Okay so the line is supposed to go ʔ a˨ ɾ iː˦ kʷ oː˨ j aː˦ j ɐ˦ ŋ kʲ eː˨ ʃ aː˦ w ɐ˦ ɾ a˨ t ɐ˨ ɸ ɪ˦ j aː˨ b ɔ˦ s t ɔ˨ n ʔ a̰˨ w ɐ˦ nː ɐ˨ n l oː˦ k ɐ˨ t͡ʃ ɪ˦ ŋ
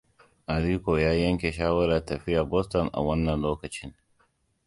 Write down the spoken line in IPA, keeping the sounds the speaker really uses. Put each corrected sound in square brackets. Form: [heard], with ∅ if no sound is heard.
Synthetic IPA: ʔ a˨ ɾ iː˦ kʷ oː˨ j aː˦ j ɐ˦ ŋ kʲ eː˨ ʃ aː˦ w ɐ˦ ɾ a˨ t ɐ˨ ɸ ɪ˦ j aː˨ b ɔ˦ s t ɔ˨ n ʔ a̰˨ w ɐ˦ nː ɐ˨ n l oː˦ k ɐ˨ t͡ʃ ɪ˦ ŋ

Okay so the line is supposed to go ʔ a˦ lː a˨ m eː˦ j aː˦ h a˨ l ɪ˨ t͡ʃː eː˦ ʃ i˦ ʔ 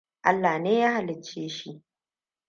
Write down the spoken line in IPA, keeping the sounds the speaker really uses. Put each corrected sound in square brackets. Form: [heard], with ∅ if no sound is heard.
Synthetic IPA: ʔ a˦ lː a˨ [n] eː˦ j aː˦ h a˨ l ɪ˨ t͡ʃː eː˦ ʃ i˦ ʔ

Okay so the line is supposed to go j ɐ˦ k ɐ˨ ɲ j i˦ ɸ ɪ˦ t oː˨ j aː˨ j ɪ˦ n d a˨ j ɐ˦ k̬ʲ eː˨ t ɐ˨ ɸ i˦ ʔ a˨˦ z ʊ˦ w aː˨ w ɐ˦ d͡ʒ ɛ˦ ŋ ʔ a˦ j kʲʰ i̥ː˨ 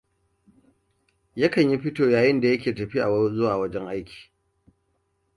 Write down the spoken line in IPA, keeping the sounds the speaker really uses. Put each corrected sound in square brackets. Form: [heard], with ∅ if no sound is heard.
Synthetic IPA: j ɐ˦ k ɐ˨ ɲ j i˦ ɸ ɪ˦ t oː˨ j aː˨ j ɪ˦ n d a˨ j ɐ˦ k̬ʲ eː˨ t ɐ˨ ɸ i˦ ʔ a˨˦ z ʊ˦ w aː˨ w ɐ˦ d͡ʒ ɛ˦ ŋ ʔ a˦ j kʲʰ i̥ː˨

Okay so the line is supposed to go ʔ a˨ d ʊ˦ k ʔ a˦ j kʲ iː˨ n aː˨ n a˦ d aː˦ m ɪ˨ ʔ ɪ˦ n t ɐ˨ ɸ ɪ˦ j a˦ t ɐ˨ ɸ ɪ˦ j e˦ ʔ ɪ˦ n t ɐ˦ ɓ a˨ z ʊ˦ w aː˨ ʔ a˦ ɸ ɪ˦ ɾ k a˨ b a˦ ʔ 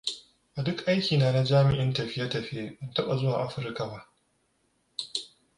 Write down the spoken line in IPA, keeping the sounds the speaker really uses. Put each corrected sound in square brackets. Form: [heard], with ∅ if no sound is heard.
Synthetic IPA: ʔ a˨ d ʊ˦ k ʔ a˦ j kʲ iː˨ n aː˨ n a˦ [d͡ʒ] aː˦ m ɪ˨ ʔ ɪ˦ n t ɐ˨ ɸ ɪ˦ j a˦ t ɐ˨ ɸ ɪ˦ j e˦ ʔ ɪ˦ n t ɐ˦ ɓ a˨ z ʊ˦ w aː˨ ʔ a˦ ɸ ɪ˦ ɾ k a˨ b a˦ ʔ

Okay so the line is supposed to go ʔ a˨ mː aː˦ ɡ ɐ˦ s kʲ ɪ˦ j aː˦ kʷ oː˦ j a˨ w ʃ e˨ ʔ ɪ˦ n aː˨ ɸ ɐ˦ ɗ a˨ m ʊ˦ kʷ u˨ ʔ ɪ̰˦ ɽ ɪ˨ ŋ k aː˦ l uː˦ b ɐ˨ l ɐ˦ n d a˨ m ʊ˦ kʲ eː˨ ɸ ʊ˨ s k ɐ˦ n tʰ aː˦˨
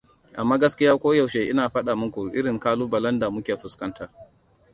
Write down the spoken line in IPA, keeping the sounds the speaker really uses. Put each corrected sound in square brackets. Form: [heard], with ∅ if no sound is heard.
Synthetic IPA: ʔ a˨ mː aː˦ ɡ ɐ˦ s kʲ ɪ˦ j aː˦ kʷ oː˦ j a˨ w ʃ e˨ ʔ ɪ˦ n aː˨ ɸ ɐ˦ ɗ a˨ m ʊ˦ kʷ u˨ ʔ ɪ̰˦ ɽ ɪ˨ ŋ k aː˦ l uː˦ b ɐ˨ l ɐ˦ n d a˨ m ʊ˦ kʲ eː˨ ɸ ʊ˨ s k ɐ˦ n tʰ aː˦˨

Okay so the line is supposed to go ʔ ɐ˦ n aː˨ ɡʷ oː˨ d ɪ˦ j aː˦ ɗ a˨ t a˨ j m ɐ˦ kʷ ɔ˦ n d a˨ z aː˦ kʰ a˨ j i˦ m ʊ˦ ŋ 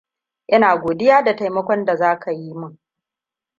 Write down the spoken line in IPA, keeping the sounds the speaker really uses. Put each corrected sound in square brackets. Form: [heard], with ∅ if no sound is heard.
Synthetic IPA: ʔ ɐ˦ n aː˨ ɡʷ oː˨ d ɪ˦ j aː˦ [d] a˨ t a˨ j m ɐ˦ kʷ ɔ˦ n d a˨ z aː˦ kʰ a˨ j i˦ m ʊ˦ ŋ

